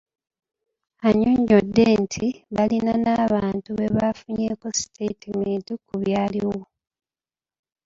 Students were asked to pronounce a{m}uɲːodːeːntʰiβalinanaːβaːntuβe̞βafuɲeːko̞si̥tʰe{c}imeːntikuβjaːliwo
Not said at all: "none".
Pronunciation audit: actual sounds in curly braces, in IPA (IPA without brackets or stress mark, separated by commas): ɲ, t